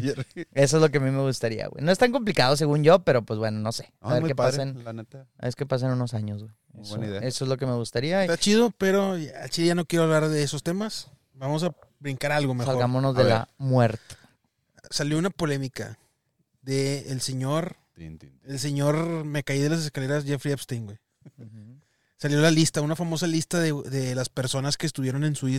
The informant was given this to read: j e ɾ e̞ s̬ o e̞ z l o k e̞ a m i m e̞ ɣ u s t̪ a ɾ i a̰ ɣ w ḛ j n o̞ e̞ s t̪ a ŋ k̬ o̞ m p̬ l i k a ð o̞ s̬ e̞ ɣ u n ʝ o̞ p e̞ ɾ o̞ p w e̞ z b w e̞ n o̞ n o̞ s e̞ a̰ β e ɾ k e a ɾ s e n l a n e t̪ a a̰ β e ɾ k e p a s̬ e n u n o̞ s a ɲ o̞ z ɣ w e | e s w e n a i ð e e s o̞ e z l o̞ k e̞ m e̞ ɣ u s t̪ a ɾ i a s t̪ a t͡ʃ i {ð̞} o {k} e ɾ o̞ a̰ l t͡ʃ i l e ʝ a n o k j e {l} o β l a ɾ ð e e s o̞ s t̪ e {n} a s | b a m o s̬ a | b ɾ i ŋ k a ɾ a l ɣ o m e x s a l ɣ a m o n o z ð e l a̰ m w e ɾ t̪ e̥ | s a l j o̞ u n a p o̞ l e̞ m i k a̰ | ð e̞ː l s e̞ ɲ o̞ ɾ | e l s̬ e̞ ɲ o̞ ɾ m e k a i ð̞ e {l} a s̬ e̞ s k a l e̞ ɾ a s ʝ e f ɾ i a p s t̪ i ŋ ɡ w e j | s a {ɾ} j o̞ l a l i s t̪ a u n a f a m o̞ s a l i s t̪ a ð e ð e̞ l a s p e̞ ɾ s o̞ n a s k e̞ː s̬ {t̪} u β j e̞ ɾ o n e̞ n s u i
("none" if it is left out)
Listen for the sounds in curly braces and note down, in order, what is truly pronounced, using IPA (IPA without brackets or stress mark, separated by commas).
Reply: ð̞, p, ɾ, m, l, l, t̪